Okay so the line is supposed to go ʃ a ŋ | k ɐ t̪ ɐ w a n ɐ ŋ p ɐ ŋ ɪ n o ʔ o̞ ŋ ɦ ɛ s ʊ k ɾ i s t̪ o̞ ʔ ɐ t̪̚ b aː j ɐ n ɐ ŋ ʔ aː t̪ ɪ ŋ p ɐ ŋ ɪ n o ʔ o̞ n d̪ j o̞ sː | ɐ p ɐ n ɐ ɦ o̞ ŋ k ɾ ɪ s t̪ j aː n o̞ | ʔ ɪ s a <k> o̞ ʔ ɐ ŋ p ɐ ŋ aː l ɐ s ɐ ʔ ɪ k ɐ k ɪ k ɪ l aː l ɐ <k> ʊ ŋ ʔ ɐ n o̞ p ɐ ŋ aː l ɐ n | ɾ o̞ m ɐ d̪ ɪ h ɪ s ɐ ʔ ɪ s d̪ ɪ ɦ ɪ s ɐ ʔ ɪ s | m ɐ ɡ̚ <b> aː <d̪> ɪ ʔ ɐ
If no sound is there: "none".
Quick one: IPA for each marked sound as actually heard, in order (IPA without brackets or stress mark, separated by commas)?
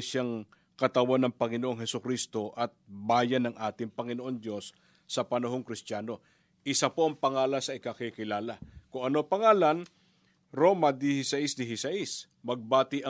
p, k, b, t̪